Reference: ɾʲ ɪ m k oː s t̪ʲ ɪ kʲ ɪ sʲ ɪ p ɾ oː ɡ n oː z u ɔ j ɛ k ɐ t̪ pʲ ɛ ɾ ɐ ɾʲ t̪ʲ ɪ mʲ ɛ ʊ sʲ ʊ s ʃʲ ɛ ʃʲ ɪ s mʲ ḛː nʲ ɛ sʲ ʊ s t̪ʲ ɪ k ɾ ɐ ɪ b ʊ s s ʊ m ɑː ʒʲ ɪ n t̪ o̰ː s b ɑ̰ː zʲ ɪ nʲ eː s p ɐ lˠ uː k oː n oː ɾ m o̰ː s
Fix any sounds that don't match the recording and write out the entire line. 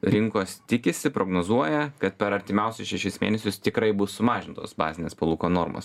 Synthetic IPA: ɾʲ ɪ ŋ k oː s t̪ʲ ɪ kʲ ɪ sʲ ɪ p ɾ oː ɡ n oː z u ɔ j ɛ k ɐ t̪ pʲ ɛ ɾ ɐ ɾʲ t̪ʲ ɪ mʲ ɛ ʊ sʲ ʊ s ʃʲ ɛ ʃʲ ɪ s mʲ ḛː nʲ ɛ sʲ ʊ s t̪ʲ ɪ k ɾ ɐ ɪ b ʊ s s ʊ m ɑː ʒʲ ɪ n t̪ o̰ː s b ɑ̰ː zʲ ɪ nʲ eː s p ɐ lˠ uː k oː n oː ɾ m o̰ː s